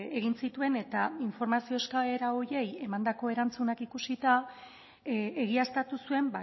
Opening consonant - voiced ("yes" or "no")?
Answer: yes